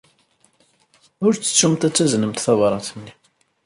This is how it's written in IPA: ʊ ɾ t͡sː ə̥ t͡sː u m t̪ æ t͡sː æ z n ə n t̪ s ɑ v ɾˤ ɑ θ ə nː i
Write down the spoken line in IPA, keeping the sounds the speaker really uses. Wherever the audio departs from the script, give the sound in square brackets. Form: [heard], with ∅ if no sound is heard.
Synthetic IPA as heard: ʊ ɾ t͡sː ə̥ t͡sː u m t̪ æ t͡sː æ z n ə [m] t̪ [θ] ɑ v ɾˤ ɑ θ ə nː i